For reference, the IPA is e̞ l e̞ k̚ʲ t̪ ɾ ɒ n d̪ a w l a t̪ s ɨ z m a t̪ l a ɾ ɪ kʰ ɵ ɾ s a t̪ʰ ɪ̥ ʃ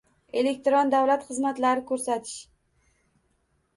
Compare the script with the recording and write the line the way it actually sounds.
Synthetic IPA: e̞ l e̞ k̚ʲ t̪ ɾ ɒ n d̪ a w l a t̪ χ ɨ z m a t̪ l a ɾ ɪ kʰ ɵ ɾ s a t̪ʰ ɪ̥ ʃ